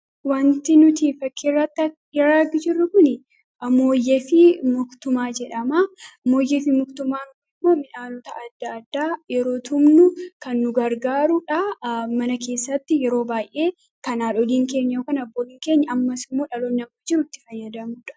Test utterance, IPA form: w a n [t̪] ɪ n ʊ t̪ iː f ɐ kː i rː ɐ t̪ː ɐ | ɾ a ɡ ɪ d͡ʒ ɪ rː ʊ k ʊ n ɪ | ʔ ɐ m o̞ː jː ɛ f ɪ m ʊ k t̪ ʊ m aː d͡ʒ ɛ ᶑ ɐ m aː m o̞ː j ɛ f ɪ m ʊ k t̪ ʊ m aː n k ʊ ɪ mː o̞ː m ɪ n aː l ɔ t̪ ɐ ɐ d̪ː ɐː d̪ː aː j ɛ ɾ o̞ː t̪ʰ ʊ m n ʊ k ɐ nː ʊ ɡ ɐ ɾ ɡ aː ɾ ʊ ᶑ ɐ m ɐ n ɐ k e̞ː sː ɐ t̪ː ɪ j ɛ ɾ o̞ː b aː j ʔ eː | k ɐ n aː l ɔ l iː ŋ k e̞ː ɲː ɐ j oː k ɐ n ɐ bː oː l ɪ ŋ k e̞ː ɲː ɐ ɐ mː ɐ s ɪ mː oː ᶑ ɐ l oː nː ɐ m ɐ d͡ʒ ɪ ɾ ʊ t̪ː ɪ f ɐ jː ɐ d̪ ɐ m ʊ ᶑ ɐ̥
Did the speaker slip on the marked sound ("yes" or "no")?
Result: no